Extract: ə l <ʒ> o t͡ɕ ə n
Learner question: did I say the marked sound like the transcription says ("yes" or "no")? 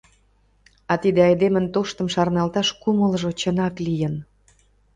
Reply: yes